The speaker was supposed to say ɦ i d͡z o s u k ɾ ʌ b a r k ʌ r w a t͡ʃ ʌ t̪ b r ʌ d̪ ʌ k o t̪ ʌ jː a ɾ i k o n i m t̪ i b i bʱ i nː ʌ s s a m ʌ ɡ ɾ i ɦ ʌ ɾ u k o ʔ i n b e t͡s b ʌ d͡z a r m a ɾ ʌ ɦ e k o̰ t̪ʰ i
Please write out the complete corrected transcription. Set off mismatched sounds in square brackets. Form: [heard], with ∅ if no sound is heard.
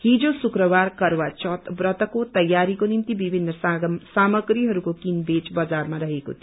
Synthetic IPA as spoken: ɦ i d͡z o s u k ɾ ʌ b a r k ʌ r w a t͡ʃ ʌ t̪ b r ʌ [t̪] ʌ k o t̪ ʌ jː a ɾ i k o n i m t̪ i b i bʱ i nː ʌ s s a m ʌ ɡ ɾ i ɦ ʌ ɾ u k o [k] i n b e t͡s b ʌ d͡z a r m a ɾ ʌ ɦ e k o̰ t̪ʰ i